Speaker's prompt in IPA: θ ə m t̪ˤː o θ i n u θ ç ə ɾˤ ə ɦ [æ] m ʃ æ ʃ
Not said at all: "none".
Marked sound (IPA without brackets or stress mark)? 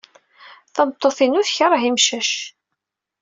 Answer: i